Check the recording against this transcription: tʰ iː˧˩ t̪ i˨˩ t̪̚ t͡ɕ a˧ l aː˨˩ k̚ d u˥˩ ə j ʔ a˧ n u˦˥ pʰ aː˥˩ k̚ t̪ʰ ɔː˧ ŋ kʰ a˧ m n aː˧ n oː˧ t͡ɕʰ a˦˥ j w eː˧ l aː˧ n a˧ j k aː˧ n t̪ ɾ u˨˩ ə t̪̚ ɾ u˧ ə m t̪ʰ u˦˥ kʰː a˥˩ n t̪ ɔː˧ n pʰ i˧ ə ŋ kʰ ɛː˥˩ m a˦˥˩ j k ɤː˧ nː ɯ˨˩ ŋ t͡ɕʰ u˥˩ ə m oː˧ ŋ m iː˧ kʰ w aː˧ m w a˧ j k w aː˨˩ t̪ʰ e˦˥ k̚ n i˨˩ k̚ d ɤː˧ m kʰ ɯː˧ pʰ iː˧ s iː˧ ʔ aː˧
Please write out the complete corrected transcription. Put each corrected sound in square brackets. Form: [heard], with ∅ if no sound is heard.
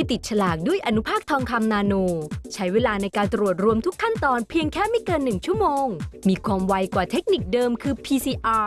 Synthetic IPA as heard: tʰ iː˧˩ t̪ i˨˩ t̪̚ [t͡ɕʰ] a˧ l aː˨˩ k̚ d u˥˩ ə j ʔ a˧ n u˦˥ pʰ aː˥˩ k̚ t̪ʰ ɔː˧ ŋ kʰ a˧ m n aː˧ n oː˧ t͡ɕʰ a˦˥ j w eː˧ l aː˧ n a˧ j k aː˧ n t̪ ɾ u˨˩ ə t̪̚ ɾ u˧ ə m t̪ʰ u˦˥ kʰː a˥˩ n t̪ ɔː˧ n pʰ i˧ ə ŋ kʰ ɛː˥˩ m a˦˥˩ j k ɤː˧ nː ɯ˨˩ ŋ t͡ɕʰ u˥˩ ə m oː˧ ŋ m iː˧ kʰ w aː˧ m w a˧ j k w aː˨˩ t̪ʰ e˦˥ k̚ n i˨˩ k̚ d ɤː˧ m kʰ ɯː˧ pʰ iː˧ s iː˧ ʔ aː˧